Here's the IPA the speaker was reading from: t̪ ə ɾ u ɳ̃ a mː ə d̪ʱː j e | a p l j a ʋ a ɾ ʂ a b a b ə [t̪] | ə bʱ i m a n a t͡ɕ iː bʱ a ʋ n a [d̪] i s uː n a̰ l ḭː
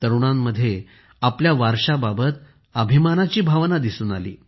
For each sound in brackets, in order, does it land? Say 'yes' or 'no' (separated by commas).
yes, yes